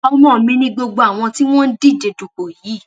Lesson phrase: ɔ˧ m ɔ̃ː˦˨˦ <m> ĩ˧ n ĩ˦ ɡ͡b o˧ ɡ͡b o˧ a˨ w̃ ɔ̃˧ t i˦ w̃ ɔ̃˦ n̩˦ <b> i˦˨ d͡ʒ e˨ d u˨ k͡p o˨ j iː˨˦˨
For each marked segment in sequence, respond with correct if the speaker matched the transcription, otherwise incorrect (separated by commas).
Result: correct, incorrect